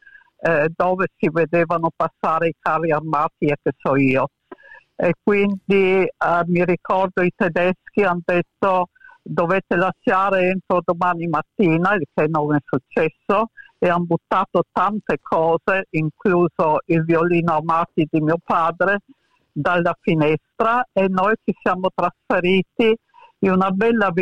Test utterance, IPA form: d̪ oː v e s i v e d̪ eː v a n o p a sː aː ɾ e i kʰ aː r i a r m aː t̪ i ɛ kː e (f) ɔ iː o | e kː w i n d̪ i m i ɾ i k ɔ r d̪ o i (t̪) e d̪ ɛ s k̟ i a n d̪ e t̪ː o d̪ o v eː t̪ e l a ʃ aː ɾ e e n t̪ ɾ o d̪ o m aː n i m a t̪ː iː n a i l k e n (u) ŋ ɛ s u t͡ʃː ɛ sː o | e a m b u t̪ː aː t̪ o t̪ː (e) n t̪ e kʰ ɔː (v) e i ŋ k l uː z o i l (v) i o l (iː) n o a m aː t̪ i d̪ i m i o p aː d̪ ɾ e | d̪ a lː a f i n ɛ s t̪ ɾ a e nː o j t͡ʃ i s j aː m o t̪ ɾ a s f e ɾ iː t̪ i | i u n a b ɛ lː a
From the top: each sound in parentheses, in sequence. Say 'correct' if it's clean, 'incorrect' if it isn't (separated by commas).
incorrect, correct, incorrect, incorrect, incorrect, correct, correct